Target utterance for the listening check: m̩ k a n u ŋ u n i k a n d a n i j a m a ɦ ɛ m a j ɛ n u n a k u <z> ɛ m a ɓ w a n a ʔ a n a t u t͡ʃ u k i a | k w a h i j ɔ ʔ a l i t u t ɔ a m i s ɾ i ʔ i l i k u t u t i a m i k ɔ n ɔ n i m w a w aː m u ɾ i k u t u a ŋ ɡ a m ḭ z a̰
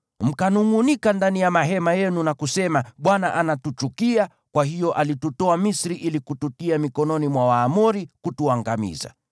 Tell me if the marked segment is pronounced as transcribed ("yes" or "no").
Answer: no